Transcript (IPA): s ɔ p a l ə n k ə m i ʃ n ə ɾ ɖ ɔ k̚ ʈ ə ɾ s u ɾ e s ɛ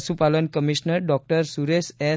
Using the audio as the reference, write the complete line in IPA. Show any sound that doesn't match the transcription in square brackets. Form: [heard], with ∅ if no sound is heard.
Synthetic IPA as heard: s [u] p a l ə n k ə m i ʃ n ə ɾ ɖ ɔ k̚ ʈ ə ɾ s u ɾ e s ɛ